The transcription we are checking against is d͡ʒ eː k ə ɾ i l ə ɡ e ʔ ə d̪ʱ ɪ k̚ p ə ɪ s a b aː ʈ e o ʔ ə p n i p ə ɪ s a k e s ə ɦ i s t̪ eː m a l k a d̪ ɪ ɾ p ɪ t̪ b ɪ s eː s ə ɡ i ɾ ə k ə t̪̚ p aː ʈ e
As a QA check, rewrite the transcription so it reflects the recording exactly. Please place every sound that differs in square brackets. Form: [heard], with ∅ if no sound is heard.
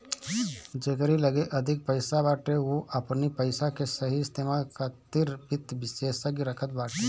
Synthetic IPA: d͡ʒ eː k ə ɾ i l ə ɡ e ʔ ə d̪ʱ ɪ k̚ p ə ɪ s a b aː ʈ e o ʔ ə p n i p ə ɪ s a k e s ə ɦ i s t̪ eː m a l k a [t̪] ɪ ɾ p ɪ t̪ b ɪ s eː s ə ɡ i ɾ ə [kʰ] ə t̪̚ [b] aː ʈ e